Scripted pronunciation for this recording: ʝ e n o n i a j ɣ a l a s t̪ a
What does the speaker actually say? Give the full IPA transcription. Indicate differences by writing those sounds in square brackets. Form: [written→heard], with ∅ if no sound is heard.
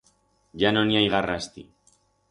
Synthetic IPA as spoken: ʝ [e→a] n o n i a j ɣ a [l→r] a s t̪ [a→i]